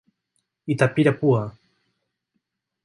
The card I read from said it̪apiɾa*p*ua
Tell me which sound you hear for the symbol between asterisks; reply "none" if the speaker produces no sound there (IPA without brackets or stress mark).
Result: p